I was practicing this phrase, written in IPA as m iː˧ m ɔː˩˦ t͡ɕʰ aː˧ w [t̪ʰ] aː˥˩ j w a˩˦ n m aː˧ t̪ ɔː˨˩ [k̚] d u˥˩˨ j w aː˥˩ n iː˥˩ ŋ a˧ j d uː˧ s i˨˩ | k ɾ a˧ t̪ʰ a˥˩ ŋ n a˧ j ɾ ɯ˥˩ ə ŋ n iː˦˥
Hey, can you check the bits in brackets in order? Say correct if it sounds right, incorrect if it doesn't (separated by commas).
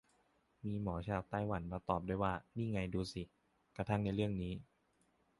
incorrect, incorrect